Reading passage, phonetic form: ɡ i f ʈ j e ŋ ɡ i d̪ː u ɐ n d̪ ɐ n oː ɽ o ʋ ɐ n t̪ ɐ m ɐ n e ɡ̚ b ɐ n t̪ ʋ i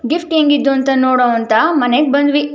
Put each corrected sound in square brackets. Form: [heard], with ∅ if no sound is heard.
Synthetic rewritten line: ɡ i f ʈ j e ŋ ɡ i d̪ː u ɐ n [t̪] ɐ n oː ɽ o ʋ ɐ n t̪ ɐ m ɐ n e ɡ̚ b ɐ n [d̪] ʋ i